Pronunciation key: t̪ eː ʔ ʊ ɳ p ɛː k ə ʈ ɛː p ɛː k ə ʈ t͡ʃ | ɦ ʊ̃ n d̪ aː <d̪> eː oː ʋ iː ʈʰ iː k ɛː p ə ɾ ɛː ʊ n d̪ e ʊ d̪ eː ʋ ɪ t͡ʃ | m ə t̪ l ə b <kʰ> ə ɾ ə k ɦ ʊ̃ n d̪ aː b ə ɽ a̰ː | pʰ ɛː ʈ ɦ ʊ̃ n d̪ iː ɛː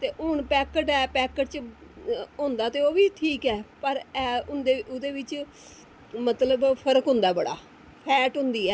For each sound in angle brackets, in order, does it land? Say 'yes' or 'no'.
no, no

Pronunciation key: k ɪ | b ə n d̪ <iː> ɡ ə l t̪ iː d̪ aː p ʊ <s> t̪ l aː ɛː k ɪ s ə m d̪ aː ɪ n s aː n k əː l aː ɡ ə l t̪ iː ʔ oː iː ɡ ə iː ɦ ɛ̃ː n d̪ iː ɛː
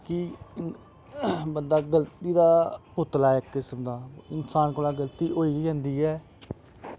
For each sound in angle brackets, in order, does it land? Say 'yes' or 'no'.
no, no

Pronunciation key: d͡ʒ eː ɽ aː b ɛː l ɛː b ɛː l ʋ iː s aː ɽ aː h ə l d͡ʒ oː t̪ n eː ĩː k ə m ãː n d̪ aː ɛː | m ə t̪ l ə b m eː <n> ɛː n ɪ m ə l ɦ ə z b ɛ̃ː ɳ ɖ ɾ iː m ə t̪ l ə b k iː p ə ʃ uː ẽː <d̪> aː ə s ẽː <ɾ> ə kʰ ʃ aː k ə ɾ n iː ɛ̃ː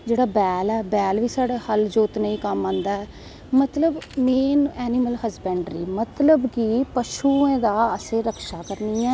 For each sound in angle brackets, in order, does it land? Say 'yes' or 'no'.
yes, yes, yes

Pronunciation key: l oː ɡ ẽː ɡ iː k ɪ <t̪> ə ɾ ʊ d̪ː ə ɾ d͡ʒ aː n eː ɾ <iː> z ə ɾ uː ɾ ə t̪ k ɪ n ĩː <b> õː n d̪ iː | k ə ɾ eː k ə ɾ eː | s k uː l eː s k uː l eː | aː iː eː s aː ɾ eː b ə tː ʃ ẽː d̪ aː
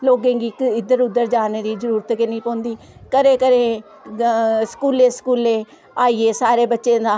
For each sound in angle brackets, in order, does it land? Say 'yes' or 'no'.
no, yes, no

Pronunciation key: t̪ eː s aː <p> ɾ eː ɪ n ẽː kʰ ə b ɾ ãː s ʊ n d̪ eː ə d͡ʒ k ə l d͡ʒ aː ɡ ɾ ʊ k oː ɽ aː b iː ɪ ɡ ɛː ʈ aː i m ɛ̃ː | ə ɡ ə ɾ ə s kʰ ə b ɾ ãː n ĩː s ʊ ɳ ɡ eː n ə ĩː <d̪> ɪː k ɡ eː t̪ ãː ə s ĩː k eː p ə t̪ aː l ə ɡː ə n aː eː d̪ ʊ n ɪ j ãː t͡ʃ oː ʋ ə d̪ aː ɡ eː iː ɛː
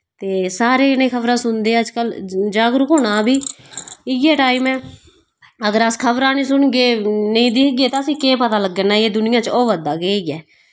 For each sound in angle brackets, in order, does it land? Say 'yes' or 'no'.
no, yes

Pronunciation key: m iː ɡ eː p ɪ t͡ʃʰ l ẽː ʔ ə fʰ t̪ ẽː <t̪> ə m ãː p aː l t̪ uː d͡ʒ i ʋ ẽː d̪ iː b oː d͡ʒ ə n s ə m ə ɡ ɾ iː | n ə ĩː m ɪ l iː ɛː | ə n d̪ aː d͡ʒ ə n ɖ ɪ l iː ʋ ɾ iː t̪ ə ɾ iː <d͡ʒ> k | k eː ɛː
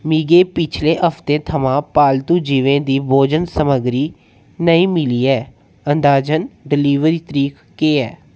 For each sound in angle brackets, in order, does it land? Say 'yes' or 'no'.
no, no

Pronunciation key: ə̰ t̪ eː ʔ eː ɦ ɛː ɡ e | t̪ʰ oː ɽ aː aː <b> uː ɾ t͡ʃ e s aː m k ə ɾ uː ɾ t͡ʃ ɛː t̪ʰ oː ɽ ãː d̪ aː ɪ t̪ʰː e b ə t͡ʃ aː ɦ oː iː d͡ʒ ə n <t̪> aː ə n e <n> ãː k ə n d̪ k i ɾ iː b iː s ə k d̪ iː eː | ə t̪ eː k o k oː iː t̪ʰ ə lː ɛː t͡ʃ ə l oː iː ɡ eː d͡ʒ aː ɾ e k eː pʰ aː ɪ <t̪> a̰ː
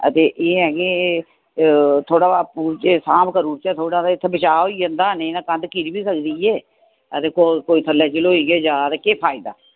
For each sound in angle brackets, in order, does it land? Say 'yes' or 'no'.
no, no, yes, no

